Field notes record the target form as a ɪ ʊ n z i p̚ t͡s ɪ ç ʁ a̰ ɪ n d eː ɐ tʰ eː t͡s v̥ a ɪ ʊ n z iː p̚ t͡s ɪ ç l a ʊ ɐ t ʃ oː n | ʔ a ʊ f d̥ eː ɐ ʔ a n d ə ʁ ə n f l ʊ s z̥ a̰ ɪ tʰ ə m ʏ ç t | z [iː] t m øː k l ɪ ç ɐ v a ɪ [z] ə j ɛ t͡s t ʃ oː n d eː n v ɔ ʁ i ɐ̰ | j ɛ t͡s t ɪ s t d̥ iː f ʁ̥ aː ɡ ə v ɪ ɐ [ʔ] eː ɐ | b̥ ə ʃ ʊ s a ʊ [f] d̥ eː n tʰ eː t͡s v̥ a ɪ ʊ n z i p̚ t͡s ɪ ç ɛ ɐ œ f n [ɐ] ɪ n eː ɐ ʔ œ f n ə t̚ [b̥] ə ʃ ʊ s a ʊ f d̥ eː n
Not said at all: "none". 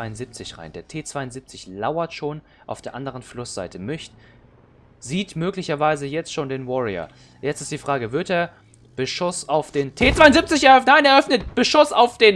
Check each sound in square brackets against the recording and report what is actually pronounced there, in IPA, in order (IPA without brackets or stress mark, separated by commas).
iː, z, t, f, a, b̥